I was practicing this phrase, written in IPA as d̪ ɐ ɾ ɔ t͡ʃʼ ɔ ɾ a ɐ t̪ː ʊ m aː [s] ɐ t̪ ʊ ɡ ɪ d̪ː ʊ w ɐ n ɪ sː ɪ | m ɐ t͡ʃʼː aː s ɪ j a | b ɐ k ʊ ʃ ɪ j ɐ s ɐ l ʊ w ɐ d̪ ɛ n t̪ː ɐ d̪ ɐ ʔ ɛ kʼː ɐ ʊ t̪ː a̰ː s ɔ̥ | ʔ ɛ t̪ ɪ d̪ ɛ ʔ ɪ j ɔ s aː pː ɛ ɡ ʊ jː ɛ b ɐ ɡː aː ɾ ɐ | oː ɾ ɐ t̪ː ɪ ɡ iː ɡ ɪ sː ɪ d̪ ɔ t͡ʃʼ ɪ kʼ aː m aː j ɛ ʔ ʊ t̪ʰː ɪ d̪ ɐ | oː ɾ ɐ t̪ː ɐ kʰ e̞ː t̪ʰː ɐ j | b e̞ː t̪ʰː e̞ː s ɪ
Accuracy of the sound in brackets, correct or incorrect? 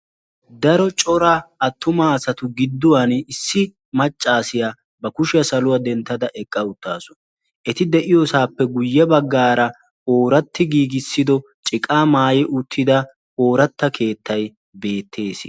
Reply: correct